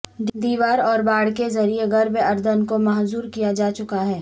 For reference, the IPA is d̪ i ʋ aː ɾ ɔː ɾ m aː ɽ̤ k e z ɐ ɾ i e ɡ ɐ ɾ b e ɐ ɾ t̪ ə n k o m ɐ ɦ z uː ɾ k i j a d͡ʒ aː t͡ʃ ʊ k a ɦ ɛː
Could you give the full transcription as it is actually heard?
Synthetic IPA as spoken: d̪ iː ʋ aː ɾ ɔː ɾ b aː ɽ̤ k e z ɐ ɾ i e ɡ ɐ ɾ b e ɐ ɾ d̪ ə n k o m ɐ ɦ z uː ɾ k i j a d͡ʒ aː t͡ʃ ʊ k a ɦ ɛː